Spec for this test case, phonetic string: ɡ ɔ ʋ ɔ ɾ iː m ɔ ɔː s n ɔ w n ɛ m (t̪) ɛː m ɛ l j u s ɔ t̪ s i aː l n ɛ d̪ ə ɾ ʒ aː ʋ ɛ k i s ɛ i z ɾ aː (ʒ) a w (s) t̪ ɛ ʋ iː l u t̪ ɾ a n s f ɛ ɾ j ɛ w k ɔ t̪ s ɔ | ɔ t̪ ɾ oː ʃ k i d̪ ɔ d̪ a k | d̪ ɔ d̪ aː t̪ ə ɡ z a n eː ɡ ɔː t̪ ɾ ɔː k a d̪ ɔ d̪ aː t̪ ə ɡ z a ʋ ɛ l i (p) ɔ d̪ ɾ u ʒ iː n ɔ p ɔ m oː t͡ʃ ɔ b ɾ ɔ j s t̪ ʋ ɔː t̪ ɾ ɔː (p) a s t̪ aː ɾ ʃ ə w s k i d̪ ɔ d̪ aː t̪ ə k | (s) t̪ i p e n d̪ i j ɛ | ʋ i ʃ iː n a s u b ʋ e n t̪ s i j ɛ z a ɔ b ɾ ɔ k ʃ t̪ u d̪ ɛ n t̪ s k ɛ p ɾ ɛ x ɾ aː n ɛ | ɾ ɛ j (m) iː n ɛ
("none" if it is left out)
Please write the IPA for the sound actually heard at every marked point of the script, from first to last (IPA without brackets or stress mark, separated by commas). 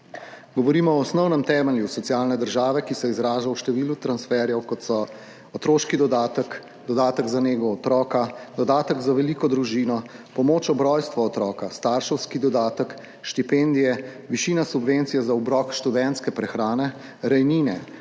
t̪, ʒ, ʃ, k, k, ʃ, n